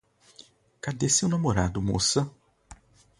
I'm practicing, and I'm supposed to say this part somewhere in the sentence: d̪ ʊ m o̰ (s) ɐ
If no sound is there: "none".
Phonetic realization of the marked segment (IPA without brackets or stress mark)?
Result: s